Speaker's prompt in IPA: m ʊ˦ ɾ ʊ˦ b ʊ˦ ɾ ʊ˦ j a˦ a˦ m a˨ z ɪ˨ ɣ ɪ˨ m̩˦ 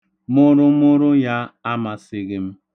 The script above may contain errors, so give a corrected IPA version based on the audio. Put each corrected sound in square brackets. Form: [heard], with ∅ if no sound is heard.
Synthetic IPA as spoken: m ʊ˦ ɾ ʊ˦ [m] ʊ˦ ɾ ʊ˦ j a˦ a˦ m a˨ [s] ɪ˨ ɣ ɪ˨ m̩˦